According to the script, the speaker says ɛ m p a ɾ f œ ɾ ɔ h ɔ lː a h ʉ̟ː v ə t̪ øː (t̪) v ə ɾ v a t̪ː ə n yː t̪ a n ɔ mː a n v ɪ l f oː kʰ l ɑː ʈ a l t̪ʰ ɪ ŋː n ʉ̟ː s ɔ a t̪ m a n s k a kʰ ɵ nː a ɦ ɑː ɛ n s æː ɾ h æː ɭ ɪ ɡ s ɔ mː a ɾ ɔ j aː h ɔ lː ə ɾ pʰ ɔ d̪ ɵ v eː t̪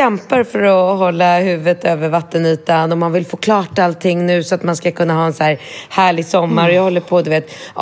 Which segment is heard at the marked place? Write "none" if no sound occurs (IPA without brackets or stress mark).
none